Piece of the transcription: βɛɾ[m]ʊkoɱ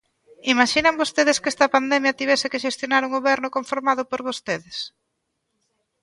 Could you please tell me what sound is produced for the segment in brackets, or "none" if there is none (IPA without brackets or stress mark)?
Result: n